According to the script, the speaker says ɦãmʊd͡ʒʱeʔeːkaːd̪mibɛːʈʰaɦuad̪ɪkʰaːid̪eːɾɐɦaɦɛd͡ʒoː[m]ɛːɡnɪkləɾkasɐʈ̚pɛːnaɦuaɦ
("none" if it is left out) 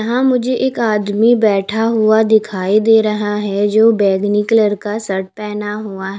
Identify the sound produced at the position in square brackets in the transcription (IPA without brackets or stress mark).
b